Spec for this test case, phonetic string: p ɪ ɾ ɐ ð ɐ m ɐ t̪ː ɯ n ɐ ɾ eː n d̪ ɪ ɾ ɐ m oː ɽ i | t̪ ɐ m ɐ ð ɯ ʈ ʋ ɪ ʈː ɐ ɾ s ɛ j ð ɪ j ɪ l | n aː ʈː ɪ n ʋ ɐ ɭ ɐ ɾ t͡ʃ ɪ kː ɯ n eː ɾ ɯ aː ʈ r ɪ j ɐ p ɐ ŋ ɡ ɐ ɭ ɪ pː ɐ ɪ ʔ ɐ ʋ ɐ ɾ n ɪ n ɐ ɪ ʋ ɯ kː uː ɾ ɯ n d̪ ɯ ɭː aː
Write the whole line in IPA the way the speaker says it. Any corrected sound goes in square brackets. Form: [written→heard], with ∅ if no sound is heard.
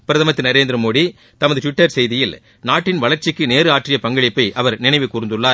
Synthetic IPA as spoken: p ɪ ɾ ɐ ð ɐ m ɐ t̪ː ɯ n ɐ ɾ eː n d̪ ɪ ɾ ɐ m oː ɽ i | t̪ ɐ m ɐ ð ɯ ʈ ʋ ɪ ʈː ɐ ɾ s ɛ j ð ɪ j ɪ l | n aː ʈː ɪ n ʋ ɐ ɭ ɐ ɾ t͡ʃ ɪ kː ɯ n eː ɾ ɯ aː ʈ r ɪ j ɐ p ɐ ŋ ɡ ɐ ɭ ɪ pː ɐ ɪ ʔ ɐ ʋ ɐ ɾ n ɪ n ɐ ɪ ʋ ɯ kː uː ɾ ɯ n d̪ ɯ ɭː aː